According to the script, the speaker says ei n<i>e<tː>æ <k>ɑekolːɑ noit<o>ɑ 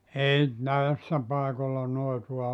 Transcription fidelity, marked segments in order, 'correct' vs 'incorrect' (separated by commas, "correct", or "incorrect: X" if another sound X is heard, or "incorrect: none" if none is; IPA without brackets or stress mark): incorrect: æ, incorrect: sː, incorrect: p, incorrect: u